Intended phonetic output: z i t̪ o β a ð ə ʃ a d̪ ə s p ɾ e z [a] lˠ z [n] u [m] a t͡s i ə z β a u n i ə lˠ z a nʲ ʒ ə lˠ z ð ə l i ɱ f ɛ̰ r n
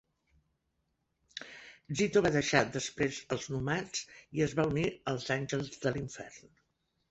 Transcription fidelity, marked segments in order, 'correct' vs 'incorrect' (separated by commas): incorrect, correct, correct